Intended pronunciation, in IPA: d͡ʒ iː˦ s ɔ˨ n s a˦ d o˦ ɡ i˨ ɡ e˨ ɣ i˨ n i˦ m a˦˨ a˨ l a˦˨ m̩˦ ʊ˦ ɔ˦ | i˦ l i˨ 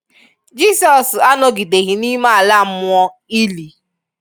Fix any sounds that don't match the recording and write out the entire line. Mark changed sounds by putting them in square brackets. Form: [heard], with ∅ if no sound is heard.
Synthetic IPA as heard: d͡ʒ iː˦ s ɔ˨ [∅] s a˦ [n] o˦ ɡ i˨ [d] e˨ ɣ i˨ n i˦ m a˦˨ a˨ l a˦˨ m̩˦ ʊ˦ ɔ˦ | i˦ l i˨

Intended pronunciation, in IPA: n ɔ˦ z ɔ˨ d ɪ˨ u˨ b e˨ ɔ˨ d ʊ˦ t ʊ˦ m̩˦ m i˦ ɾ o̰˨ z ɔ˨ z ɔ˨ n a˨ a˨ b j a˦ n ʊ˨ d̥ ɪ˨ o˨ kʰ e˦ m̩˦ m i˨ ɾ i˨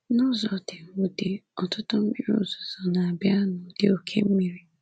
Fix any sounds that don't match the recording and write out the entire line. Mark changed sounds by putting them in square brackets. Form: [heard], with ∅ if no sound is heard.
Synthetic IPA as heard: n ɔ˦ z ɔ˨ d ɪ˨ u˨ [d] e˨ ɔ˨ [t] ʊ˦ t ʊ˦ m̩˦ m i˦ ɾ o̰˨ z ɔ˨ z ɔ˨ n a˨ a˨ b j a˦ n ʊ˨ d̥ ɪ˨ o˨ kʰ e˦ m̩˦ m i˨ ɾ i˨

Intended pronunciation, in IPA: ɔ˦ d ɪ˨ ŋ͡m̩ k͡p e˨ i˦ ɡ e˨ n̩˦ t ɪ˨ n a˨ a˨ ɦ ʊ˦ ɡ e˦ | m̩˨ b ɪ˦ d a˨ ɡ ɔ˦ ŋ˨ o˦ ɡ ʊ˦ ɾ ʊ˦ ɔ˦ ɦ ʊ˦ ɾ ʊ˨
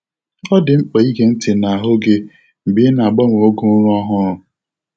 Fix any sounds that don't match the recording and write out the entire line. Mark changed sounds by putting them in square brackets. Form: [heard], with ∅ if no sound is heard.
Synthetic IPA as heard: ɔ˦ d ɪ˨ ŋ͡m̩ k͡p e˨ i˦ ɡ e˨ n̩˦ t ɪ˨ n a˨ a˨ ɦ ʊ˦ ɡ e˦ | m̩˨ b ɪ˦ [n] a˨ [ɡ͡b] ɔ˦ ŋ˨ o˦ ɡ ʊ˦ ɾ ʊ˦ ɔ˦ ɦ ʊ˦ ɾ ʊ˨

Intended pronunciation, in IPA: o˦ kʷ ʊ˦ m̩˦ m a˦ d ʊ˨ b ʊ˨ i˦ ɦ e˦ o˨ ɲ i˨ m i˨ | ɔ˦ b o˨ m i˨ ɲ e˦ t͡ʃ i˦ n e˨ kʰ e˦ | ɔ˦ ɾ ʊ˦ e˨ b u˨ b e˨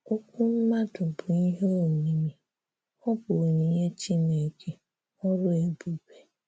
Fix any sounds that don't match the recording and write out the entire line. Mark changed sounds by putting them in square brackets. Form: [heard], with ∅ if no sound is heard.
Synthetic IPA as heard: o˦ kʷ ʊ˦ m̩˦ m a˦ d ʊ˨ b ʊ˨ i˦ ɦ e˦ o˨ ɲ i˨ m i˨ | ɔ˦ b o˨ [ɲ] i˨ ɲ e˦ t͡ʃ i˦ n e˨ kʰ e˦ | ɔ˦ ɾ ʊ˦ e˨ b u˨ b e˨

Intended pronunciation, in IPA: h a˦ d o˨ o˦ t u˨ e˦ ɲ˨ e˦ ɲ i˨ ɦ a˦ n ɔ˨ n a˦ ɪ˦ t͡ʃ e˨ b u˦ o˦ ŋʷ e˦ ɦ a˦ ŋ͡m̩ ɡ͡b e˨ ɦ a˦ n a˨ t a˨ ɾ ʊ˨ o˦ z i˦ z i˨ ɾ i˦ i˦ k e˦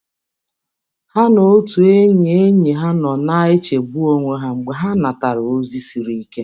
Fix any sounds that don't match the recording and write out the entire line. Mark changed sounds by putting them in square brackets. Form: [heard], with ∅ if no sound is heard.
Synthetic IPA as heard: h a˦ [n] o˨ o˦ t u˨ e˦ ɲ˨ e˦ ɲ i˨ ɦ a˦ n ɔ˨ n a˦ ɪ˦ t͡ʃ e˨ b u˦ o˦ ŋʷ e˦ ɦ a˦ ŋ͡m̩ ɡ͡b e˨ ɦ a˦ n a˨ t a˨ ɾ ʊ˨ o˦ z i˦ [s] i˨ ɾ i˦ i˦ k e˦

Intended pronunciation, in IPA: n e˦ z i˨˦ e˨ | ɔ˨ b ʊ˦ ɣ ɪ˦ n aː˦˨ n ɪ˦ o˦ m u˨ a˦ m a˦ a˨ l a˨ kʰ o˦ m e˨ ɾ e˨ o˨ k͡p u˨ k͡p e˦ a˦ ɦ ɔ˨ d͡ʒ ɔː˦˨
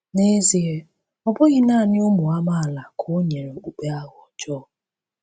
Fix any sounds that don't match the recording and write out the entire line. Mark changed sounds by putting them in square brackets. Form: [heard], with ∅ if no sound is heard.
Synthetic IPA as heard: n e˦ z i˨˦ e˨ | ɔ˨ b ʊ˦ ɣ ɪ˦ n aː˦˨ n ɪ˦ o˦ m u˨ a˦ m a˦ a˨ l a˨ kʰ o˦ [ɲ] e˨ ɾ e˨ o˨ k͡p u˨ k͡p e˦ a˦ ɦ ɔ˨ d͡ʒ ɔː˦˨

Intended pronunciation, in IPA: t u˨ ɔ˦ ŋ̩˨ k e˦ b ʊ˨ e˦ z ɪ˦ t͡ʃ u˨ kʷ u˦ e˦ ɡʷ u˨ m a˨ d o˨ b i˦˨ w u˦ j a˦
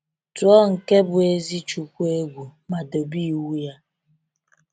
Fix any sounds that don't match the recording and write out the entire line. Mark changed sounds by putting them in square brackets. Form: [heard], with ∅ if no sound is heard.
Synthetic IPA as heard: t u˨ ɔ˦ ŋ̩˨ k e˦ b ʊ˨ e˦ z [i˦] t͡ʃ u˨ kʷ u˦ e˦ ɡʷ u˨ m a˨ d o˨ b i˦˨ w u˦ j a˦

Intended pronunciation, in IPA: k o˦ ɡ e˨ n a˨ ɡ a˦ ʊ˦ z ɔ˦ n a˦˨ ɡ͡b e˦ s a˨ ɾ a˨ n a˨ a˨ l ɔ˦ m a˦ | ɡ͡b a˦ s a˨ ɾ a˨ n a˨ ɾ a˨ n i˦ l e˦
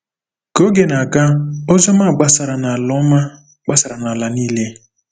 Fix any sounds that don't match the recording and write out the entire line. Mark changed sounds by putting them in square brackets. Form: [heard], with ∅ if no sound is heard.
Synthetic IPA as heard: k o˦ ɡ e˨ n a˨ ɡ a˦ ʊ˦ z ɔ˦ [m] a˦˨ ɡ͡b [a˦] s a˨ ɾ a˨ n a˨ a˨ l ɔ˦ m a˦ | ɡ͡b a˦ s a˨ ɾ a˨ n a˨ [l] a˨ n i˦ l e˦

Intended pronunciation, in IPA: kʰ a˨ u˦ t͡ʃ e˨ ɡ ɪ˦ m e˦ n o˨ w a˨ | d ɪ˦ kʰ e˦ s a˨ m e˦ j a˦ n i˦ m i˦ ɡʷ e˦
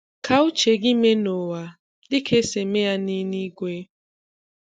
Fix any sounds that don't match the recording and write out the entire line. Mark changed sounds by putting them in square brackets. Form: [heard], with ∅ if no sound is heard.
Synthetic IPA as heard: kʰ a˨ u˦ t͡ʃ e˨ ɡ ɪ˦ m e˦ n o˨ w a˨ | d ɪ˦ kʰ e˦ s [e˨] m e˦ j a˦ n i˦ [n] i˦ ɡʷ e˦

